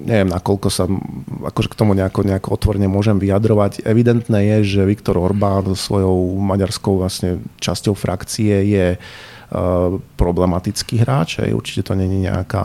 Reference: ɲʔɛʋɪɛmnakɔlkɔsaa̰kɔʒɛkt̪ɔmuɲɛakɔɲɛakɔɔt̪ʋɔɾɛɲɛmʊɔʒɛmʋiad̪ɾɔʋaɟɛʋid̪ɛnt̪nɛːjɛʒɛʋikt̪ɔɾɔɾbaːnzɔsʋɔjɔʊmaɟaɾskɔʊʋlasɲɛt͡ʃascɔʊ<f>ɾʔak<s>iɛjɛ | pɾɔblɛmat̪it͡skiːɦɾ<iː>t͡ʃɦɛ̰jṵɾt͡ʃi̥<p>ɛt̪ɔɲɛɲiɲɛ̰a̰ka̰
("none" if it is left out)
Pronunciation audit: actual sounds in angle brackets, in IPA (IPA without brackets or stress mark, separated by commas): f, t͡s, aː, c